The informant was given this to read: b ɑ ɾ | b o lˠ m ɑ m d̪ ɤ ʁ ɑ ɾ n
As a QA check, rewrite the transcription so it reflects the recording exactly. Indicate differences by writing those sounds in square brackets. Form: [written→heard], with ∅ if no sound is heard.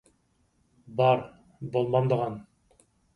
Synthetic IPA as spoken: b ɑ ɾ | b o lˠ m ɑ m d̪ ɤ ʁ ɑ [ɾ→∅] n